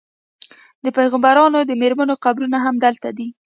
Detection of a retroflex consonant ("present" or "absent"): absent